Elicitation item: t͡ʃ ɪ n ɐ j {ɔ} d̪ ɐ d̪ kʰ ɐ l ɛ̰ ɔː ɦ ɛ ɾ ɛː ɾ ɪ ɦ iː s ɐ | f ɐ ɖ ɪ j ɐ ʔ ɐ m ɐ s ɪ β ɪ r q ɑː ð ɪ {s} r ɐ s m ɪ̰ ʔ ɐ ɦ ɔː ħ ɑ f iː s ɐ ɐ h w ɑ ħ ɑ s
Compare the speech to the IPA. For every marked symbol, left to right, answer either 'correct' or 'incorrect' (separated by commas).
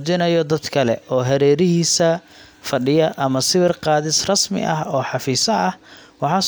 correct, correct